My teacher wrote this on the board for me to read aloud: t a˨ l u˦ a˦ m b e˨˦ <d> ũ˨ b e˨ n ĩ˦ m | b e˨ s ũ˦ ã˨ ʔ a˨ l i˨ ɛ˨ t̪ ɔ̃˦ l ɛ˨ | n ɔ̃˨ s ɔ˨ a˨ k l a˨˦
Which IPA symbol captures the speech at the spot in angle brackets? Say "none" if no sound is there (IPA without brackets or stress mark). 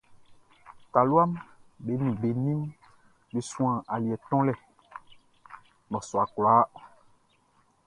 n